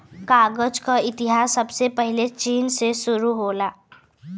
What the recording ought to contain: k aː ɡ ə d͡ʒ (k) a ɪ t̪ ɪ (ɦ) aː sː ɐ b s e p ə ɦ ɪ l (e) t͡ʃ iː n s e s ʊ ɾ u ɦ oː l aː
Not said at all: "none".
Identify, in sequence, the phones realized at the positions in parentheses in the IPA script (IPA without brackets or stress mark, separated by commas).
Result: k, ɦ, e